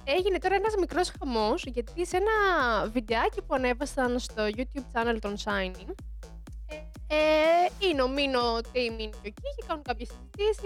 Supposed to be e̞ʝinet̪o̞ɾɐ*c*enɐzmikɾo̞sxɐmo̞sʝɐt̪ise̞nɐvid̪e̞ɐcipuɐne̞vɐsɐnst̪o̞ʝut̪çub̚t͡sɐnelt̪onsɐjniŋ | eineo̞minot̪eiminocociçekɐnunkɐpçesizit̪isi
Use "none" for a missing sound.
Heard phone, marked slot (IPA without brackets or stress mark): none